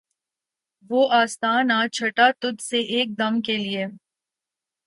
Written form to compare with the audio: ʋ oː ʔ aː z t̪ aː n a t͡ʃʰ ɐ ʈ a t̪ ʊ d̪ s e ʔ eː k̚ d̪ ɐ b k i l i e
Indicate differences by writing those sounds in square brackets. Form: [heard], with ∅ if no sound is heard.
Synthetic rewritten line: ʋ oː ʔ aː [s] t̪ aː n a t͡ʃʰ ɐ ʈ a t̪ ʊ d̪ s e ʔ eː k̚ d̪ ɐ [m] k [e] l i e